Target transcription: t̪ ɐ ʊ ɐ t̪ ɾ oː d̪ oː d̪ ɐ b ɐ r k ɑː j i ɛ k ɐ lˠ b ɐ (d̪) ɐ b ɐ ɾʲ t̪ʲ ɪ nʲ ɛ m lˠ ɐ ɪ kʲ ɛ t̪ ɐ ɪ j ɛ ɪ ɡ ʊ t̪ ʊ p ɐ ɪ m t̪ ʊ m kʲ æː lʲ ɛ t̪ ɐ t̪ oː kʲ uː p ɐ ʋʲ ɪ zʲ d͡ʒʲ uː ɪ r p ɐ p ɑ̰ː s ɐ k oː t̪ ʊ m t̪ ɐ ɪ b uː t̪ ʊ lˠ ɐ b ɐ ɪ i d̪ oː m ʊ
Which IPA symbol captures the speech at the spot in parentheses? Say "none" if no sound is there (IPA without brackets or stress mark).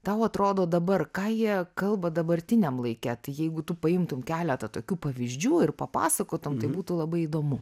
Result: d̪